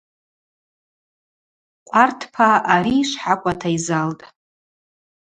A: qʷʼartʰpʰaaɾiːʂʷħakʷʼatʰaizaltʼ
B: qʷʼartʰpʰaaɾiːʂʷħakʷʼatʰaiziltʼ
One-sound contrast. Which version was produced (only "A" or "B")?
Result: A